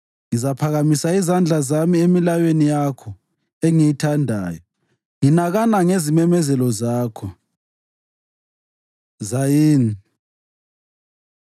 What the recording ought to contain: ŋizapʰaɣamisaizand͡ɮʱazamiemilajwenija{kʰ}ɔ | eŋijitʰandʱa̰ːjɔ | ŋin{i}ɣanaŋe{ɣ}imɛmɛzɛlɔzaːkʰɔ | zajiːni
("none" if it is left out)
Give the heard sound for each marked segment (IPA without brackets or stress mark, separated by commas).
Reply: kʰ, a, z